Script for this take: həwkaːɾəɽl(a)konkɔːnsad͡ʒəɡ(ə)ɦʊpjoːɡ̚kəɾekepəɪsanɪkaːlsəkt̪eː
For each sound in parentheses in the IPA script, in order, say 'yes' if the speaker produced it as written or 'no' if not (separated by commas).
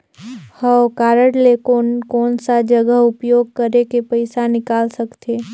no, yes